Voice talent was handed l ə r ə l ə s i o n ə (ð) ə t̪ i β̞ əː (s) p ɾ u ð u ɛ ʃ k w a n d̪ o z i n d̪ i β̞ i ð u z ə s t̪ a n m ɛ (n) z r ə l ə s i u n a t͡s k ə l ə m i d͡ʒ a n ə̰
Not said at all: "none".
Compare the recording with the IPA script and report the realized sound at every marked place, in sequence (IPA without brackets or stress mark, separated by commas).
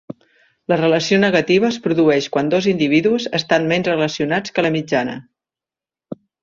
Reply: ɣ, s, n